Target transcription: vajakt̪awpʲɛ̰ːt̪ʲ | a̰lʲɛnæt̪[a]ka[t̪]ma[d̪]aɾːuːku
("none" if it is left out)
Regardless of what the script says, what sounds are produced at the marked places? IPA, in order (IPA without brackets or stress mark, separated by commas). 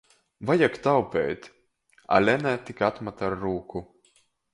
i, t̪, t̪